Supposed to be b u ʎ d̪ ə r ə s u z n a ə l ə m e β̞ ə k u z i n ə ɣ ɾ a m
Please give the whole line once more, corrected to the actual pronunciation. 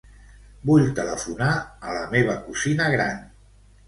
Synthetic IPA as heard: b u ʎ t̪ ə l ə f u n a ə l ə m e β̞ ə k u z i n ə ɣ ɾ a n